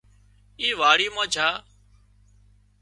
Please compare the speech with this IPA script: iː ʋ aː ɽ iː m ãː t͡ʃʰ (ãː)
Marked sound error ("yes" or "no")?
yes